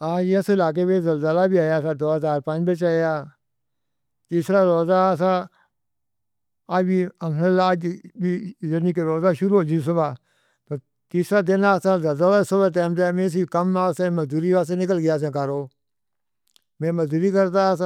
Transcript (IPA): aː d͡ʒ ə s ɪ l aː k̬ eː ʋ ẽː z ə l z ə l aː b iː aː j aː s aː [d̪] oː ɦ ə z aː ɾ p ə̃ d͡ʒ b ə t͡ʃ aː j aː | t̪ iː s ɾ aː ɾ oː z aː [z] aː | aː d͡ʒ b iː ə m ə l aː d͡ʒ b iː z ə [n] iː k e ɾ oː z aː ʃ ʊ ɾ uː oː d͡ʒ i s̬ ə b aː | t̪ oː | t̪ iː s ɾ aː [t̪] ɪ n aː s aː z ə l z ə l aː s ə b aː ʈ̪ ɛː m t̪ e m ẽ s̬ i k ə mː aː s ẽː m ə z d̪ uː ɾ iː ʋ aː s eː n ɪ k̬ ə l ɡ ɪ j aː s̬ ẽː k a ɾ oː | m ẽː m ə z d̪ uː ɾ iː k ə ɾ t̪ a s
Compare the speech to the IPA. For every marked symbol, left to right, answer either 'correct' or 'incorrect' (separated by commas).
correct, incorrect, correct, incorrect